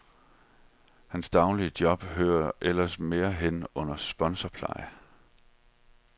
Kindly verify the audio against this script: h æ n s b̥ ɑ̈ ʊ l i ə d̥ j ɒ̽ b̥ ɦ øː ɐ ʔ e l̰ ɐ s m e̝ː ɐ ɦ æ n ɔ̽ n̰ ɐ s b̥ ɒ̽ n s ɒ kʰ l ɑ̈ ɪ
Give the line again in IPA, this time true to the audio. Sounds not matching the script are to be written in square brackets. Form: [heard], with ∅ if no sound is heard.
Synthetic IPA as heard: h æ n s [d̥] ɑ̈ ʊ l i ə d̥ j ɒ̽ b̥ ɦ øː ɐ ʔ e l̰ ɐ s m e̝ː ɐ ɦ [e] n ɔ̽ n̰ ɐ s b̥ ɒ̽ n s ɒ [pʰ] l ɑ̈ ɪ

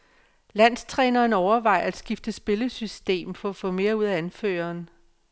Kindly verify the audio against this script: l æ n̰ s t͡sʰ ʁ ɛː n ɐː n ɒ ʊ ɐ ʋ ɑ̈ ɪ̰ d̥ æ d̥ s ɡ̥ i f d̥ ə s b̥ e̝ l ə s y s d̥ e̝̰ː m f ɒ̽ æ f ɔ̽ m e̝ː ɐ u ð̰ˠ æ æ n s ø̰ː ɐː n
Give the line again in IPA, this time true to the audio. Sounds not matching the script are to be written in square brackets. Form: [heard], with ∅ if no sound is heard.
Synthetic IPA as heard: l æ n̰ s t͡sʰ ʁ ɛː n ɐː n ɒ ʊ ɐ ʋ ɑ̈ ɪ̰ [∅] æ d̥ s ɡ̥ i f d̥ ə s b̥ e̝ l ə s y s d̥ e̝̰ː m f ɒ̽ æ f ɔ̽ m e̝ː ɐ u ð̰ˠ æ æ n [f] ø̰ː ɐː n

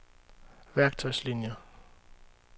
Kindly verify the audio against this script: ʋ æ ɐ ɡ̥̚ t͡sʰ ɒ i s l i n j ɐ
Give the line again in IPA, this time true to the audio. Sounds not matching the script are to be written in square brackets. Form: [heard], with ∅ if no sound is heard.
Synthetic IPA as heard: ʋ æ ɐ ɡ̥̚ t͡sʰ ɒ [ɪ] s l i n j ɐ

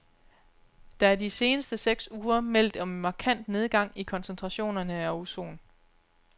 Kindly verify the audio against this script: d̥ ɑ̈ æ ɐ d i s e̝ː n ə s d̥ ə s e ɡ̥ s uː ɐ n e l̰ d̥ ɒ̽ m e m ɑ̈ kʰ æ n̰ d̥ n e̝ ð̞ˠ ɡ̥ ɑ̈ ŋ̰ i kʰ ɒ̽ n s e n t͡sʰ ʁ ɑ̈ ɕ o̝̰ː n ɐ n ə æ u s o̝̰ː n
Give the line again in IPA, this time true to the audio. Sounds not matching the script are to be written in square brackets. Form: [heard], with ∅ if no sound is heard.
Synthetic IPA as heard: d̥ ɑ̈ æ ɐ d i s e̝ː n ə s d̥ ə s e ɡ̥ s uː ɐ [m] e l̰ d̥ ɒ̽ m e m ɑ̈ kʰ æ n̰ d̥ n e̝ ð̞ˠ ɡ̥ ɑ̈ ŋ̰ i kʰ ɒ̽ n s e n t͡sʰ ʁ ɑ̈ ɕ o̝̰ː n ɐ n ə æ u s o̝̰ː n

